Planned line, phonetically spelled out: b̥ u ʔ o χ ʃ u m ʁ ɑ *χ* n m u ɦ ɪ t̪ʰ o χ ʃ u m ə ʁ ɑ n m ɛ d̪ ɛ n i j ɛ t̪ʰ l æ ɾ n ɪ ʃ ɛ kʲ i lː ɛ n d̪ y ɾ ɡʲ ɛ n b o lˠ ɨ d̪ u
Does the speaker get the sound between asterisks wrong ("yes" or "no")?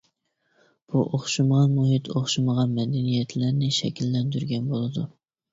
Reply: yes